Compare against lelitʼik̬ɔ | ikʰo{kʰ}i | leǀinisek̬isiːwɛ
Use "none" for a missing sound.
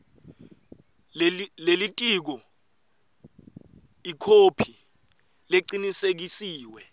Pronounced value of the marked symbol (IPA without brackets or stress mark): pʰ